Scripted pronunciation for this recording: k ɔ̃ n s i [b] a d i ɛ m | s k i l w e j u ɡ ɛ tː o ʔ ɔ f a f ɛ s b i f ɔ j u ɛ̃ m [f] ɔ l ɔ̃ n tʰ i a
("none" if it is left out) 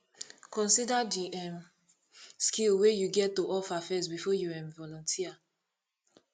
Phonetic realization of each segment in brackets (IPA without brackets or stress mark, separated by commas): d, v